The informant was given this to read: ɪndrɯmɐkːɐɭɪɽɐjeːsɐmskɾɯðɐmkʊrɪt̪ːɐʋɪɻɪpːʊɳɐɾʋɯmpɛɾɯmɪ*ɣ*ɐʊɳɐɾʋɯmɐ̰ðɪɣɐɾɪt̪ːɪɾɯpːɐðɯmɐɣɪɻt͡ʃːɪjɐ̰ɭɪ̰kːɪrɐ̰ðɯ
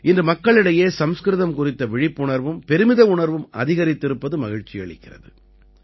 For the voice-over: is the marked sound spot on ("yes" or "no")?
no